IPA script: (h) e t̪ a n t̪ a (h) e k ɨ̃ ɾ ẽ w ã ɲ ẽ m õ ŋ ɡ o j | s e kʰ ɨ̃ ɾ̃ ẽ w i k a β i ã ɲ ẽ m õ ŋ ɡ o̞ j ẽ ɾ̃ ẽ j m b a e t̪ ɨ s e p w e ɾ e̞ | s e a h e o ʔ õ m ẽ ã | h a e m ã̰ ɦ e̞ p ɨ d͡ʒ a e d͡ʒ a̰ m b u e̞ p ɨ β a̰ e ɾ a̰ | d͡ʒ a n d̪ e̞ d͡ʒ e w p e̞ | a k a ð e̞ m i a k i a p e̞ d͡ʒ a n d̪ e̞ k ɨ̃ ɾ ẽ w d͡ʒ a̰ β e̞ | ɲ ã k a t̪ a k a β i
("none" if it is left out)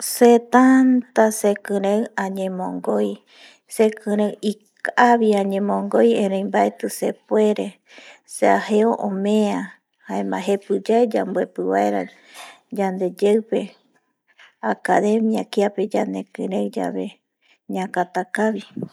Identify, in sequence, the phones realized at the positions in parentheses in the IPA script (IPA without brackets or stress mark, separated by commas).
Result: s, s